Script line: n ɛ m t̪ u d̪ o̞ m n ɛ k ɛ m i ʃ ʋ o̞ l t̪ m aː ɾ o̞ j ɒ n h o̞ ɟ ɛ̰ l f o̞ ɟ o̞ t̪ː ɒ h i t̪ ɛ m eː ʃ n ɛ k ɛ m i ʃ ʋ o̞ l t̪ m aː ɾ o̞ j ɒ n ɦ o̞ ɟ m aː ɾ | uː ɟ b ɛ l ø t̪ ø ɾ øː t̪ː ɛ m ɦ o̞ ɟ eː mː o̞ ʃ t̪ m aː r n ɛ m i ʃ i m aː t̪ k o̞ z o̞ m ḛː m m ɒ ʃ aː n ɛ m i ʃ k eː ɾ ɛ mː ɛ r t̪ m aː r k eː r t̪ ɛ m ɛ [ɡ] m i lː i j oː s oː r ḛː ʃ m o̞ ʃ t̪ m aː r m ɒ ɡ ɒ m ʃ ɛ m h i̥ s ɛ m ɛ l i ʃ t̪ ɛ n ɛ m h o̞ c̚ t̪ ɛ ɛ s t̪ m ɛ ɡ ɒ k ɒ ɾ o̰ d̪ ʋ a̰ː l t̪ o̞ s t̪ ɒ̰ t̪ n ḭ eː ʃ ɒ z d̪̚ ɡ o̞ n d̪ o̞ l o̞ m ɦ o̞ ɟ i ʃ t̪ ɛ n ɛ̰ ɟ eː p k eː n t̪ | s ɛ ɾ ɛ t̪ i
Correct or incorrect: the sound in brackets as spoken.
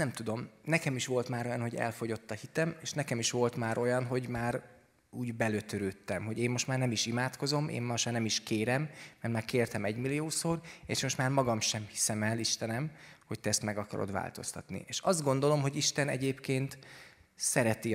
incorrect: ɟ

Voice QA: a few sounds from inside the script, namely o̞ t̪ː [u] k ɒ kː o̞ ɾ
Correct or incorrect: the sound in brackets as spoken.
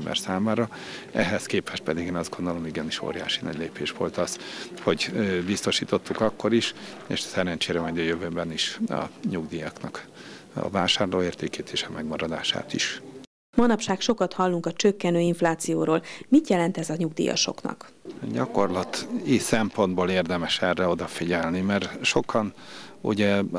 correct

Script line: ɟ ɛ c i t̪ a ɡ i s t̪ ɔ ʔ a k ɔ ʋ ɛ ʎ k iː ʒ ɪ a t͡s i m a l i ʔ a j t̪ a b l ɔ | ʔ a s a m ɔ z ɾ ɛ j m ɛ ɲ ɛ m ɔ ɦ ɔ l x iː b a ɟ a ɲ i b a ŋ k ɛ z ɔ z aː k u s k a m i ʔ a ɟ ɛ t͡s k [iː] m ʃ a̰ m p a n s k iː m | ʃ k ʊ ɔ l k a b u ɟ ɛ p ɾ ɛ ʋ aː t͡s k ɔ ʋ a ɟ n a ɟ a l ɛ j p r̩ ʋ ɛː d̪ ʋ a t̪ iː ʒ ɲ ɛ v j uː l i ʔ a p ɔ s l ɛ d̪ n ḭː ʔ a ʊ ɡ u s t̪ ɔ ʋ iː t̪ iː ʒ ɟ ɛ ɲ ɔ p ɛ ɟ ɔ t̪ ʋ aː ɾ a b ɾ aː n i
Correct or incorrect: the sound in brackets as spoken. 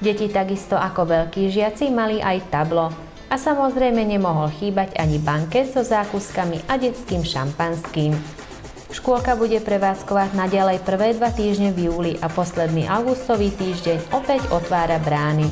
correct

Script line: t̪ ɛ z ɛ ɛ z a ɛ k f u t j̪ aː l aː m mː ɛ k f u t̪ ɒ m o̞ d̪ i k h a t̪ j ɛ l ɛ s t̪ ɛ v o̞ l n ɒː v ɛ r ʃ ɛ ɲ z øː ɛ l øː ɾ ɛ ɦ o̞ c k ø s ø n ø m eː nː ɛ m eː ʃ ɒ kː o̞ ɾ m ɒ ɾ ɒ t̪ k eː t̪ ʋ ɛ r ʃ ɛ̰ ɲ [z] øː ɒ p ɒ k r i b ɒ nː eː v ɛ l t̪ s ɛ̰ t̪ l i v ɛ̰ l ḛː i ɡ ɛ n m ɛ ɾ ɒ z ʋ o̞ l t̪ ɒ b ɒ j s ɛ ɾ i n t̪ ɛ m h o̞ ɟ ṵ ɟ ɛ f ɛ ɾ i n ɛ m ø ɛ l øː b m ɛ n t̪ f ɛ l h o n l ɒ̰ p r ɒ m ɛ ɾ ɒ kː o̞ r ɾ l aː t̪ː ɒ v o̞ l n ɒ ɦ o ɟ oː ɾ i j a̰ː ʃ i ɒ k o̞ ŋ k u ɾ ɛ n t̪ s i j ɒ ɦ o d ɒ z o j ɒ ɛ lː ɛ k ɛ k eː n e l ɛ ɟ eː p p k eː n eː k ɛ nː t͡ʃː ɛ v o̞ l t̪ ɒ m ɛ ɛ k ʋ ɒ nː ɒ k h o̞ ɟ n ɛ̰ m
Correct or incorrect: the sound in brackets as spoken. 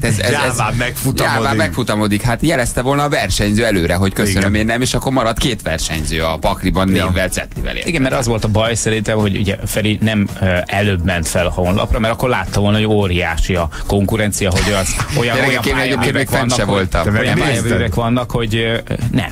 correct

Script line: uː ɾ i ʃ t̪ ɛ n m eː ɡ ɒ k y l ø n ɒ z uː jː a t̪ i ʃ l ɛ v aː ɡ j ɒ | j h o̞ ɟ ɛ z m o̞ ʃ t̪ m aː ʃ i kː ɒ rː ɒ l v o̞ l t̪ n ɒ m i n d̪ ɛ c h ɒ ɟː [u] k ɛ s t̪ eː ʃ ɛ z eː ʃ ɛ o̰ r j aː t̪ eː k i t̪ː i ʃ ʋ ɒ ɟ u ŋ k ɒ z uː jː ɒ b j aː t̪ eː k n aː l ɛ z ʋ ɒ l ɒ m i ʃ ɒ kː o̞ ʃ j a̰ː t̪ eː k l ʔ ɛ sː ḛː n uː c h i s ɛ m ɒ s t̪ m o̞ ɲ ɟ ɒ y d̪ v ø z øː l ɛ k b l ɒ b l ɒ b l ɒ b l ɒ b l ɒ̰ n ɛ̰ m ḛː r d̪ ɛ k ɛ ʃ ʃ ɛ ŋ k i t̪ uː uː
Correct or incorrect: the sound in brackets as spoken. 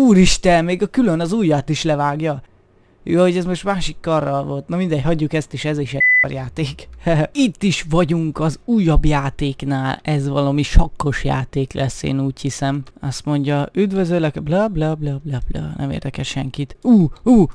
correct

